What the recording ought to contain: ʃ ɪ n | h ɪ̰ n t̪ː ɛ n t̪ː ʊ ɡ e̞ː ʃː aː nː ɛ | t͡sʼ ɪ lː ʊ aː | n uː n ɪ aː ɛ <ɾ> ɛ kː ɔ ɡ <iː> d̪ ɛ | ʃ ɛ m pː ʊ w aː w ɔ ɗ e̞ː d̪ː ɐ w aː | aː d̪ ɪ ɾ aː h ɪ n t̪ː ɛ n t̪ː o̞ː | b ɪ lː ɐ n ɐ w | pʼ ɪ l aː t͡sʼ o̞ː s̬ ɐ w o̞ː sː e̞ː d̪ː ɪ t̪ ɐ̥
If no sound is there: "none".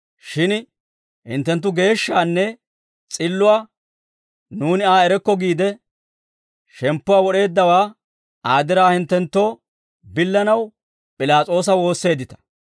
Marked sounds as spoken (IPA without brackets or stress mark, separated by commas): ɾ, iː